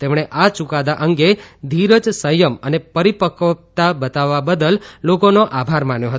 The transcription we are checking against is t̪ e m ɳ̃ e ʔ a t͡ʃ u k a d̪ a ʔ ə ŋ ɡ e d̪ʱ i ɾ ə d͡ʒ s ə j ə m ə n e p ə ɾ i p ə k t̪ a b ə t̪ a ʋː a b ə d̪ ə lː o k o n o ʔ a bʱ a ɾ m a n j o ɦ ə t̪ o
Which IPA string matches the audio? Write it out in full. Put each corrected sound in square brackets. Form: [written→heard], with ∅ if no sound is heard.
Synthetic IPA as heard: t̪ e m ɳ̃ e ʔ a t͡ʃ u k a d̪ a ʔ ə ŋ ɡ e d̪ʱ i ɾ ə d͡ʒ s ə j ə m ə n e p ə ɾ i p ə k t̪ a b ə t̪ a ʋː a b ə d̪ ə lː o k o n o ʔ a bʱ a ɾ m a n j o ɦ ə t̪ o

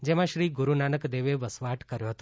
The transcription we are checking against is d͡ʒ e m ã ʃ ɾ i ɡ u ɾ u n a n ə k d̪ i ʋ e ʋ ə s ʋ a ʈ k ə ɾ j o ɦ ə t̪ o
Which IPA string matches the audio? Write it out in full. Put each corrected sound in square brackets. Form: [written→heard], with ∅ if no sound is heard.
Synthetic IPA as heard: d͡ʒ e m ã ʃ ɾ i ɡ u ɾ u n a n ə k d̪ [i→e] ʋ e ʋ ə s ʋ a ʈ k ə ɾ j o ɦ ə t̪ o

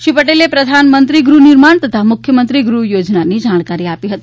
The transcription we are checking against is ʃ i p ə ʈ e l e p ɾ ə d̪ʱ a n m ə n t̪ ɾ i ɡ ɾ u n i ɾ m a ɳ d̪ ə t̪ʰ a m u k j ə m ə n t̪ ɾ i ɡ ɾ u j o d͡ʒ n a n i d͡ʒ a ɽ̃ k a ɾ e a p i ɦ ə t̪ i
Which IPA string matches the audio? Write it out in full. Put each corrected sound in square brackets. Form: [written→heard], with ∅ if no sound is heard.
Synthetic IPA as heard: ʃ i p ə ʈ e l e p ɾ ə d̪ʱ a n m ə n t̪ ɾ i ɡ ɾ u n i ɾ m a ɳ [d̪→t̪] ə t̪ʰ a m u [k→kʰ] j ə m ə n t̪ ɾ i ɡ ɾ u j o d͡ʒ n a n i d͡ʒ a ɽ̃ k a ɾ [e→i] a p i ɦ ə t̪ i

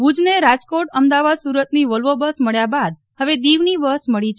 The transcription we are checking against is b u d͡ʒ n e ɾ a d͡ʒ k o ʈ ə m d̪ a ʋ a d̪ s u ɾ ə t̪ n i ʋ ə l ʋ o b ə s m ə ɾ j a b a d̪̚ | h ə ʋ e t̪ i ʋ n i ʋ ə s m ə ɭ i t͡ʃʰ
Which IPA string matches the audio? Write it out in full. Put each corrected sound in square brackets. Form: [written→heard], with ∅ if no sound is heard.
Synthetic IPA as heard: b u d͡ʒ n e ɾ a d͡ʒ k o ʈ ə m d̪ a ʋ a d̪ s u ɾ ə t̪ n i ʋ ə l ʋ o b ə s m ə [ɾ→ɭ] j a b a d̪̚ | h ə ʋ e [t̪→d̪] i ʋ n i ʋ ə s m ə ɭ i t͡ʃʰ

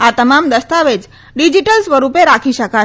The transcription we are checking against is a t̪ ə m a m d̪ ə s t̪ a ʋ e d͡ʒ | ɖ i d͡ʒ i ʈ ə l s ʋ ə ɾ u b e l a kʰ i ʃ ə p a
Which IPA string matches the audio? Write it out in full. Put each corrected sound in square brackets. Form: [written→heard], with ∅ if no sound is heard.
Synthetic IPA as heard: a t̪ ə m a m d̪ ə s t̪ a ʋ e d͡ʒ | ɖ i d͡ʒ i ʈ ə l s ʋ ə ɾ u [b→p] e [l→ɾ] a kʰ i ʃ ə [p→k] a

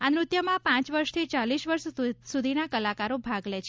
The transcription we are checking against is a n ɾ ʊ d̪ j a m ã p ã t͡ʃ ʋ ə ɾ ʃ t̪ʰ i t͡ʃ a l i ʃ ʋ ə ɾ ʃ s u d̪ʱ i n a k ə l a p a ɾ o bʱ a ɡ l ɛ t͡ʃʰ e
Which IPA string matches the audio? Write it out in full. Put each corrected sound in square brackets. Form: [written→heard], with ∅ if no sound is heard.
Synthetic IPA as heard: a n ɾ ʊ [d̪→t̪] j [a→ə] m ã p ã t͡ʃ ʋ ə ɾ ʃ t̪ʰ i t͡ʃ a l i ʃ ʋ ə ɾ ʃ s u d̪ʱ i n a k ə l a [p→k] a ɾ o bʱ a ɡ l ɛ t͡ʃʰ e

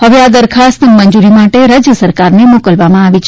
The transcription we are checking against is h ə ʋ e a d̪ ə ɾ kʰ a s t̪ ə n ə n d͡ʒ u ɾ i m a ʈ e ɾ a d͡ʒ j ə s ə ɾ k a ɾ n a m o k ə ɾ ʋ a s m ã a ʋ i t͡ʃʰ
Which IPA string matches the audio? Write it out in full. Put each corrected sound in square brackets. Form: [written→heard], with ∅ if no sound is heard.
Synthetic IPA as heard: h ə ʋ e a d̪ ə ɾ kʰ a s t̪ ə [n→m] ə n d͡ʒ u ɾ i m a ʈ e ɾ a d͡ʒ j ə s ə ɾ k a ɾ n [a→e] m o k ə [ɾ→l] ʋ a [s→∅] m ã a ʋ i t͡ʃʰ

